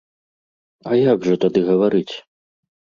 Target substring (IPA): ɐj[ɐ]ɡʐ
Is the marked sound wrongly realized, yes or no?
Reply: yes